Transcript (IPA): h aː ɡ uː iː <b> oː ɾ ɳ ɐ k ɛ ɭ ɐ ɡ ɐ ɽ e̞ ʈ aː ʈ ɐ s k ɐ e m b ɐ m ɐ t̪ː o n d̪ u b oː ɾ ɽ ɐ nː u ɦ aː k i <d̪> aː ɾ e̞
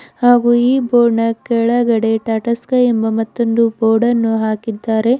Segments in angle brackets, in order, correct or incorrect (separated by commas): correct, incorrect